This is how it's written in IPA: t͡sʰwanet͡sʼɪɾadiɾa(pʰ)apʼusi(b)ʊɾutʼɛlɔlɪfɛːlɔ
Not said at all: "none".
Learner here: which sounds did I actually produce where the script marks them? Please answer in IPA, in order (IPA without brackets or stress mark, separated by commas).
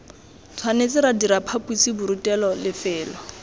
pʰ, b